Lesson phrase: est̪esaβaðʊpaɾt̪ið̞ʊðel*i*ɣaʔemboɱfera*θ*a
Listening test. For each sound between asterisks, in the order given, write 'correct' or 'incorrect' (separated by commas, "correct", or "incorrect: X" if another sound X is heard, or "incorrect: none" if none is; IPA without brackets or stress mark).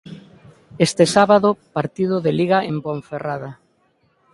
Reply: correct, incorrect: ð